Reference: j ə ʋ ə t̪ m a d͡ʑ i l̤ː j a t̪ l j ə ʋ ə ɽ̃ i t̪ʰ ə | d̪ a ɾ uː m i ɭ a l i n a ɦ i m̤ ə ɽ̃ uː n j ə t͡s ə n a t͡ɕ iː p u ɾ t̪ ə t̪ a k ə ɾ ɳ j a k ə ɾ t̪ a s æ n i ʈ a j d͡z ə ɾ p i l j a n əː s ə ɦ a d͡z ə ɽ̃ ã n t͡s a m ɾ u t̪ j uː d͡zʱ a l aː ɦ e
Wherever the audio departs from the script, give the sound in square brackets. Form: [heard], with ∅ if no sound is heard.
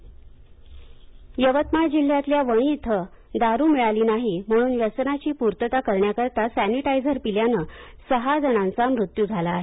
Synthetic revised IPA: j ə ʋ ə t̪ m a d͡ʑ i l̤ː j a t̪ l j [a] ʋ ə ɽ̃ i t̪ʰ ə | d̪ a ɾ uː m i ɭ a l [iː] n a ɦ i m̤ ə ɽ̃ uː n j ə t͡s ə n a t͡ɕ iː p u ɾ t̪ ə t̪ a k ə ɾ ɳ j a k ə ɾ t̪ a s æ n i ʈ a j d͡z ə ɾ p i l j a n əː s ə ɦ a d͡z ə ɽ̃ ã n t͡s a m ɾ u t̪ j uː d͡zʱ a l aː ɦ e